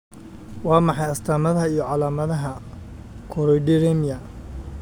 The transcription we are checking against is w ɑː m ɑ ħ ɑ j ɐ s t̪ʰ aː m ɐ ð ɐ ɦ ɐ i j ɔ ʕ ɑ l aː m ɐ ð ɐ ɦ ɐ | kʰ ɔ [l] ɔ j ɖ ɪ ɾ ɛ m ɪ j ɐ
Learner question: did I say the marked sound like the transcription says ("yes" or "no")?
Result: no